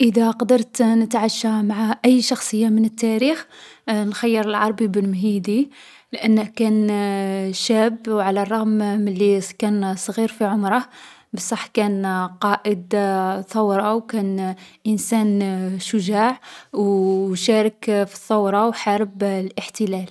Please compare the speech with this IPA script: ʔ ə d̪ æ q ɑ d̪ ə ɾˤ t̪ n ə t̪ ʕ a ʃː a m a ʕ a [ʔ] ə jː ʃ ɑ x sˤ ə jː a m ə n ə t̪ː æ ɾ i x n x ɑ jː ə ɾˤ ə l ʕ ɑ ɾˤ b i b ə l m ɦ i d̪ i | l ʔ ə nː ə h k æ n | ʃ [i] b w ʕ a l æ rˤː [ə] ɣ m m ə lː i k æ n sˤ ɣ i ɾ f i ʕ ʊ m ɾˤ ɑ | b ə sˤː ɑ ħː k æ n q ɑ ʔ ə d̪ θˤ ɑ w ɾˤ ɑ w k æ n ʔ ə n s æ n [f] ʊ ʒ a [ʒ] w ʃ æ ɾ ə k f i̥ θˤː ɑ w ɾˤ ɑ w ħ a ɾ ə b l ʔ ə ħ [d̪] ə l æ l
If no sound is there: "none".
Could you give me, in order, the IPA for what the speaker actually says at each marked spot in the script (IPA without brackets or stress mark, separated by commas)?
ʔ, æ, ɑ, ʃ, ʕ, t̪